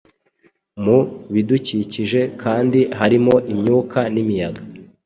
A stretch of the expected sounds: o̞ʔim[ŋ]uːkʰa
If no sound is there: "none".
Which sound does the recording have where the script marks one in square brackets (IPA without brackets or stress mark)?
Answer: ɲ